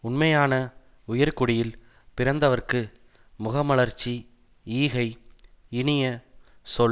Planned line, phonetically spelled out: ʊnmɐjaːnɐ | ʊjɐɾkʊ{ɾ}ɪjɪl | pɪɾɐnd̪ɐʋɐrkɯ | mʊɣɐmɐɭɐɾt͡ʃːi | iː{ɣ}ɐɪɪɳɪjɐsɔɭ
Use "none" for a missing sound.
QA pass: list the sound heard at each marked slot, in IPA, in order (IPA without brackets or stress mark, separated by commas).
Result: ɽ, ɣ